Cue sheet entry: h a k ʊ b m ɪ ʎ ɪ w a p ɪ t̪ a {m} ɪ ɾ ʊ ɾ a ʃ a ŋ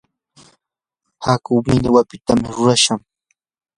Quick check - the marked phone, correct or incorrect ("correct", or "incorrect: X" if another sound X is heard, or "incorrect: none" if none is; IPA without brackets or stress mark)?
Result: correct